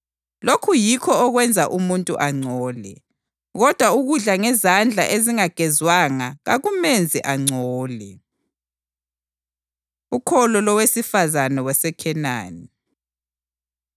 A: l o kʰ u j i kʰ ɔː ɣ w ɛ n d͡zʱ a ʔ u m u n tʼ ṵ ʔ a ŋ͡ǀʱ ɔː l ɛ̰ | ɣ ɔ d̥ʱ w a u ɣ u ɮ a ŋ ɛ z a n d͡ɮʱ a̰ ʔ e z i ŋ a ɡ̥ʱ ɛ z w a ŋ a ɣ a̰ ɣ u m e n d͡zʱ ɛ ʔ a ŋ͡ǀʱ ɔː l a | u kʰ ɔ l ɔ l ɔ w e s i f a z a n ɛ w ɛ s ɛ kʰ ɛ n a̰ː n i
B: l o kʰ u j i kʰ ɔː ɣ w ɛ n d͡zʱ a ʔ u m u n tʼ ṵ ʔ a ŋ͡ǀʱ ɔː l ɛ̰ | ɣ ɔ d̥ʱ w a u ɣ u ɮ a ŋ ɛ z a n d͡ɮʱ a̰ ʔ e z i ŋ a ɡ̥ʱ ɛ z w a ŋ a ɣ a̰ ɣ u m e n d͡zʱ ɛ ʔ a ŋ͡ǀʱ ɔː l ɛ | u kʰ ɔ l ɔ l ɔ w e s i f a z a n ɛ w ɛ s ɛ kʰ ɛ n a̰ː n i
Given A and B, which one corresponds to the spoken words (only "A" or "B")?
B